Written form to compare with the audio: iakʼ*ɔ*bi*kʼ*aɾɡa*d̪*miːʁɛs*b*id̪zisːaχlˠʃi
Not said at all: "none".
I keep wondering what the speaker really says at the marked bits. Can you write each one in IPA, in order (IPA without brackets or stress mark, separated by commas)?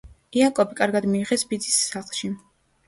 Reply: ɔ, kʼ, d̪, b